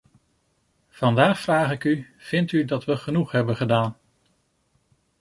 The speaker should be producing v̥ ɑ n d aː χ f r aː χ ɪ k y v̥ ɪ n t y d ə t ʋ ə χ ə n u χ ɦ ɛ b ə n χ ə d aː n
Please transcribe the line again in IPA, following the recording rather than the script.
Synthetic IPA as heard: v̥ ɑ n d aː χ f r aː χ ɪ k y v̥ ɪ n t y d ɑ t ʋ ə χ ə n u χ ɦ ɛ b ə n χ ə d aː n